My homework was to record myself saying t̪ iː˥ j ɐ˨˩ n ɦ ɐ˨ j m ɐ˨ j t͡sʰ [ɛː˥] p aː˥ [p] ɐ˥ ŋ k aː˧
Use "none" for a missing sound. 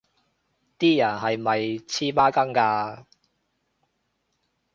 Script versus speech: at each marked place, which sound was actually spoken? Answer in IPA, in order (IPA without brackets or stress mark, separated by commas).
iː˥, k